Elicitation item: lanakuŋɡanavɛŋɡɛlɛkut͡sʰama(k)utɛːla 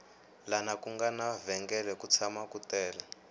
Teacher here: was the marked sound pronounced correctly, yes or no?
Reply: yes